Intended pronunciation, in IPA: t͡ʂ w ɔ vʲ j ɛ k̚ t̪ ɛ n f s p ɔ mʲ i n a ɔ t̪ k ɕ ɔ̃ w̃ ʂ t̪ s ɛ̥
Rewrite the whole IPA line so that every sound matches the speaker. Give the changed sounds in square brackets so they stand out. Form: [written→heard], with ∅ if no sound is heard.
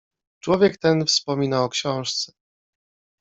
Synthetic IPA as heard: t͡ʂ w ɔ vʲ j ɛ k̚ t̪ ɛ n f s p ɔ mʲ i n a ɔ [t̪→∅] k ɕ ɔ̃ w̃ ʂ t̪ s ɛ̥